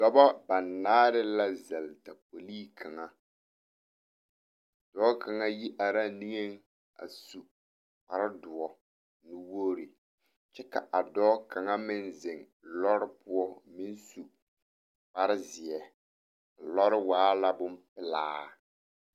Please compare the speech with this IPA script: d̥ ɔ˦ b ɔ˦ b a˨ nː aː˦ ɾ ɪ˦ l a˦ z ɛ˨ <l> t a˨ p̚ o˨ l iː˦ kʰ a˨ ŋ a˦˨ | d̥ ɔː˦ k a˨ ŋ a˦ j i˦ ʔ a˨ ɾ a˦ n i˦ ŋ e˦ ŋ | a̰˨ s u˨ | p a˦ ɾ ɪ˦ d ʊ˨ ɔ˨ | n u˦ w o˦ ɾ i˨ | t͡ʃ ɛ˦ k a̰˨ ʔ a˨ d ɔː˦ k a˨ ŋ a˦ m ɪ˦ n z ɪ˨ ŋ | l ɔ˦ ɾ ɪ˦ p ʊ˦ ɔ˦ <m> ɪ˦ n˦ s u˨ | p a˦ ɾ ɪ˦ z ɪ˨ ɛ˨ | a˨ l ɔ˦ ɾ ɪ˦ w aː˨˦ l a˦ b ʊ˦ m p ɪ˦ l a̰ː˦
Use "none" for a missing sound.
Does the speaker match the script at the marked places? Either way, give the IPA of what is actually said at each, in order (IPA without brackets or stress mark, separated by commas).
l, m